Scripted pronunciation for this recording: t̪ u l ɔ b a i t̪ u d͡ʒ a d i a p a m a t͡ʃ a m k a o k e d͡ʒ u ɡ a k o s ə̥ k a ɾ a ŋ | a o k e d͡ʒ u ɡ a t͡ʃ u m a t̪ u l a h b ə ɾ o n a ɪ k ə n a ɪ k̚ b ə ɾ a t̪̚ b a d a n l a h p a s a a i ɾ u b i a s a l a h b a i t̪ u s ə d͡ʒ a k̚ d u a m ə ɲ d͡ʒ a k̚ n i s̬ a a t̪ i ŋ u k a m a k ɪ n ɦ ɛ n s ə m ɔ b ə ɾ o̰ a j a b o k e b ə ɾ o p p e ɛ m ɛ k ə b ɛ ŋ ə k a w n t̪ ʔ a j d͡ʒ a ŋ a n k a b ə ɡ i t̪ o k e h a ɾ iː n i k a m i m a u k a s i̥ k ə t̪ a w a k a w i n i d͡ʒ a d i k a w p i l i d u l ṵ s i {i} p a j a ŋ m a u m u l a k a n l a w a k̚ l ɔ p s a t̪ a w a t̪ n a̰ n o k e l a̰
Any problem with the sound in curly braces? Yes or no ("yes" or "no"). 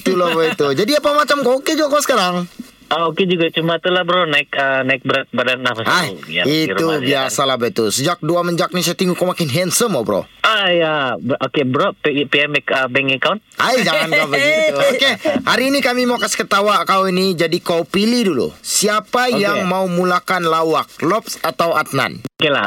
yes